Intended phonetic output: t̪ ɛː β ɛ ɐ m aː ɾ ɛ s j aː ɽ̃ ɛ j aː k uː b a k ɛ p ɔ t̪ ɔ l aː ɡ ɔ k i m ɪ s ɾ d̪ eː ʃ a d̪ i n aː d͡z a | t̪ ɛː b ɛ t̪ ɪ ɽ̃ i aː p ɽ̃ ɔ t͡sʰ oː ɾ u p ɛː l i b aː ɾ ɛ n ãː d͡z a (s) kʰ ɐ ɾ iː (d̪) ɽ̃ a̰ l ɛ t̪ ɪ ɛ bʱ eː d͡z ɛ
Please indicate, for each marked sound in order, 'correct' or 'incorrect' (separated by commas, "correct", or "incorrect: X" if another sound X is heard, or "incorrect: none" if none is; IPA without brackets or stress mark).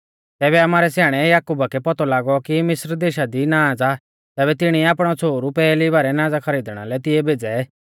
incorrect: none, correct